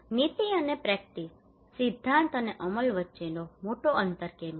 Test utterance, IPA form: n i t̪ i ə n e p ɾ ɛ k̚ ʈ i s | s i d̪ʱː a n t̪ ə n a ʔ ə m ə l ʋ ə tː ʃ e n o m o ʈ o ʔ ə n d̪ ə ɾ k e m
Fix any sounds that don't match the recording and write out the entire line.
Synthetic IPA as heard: n i t̪ i ə n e p ɾ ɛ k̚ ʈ i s | s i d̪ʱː a n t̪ ə n e ʔ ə m ə l ʋ ə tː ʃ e n o m o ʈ o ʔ ə n t̪ ə ɾ k e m